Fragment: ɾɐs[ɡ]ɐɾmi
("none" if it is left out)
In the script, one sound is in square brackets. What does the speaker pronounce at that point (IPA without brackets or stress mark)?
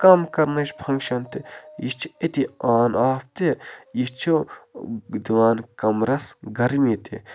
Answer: ɡ